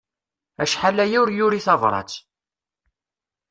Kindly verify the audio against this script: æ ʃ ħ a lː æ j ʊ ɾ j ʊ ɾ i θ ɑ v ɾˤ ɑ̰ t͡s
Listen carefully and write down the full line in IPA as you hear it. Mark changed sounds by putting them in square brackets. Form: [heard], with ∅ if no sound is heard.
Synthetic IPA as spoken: æ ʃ ħ a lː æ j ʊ ɾ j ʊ ɾ i θ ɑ v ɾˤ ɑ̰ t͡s